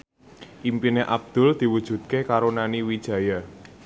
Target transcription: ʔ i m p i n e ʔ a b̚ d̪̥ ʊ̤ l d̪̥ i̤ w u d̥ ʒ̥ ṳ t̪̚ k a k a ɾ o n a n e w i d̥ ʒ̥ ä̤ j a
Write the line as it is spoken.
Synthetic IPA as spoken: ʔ i m p i n e ʔ a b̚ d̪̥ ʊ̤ l d̪̥ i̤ w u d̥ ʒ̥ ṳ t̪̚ k e k a ɾ o n a n i w i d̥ ʒ̥ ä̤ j a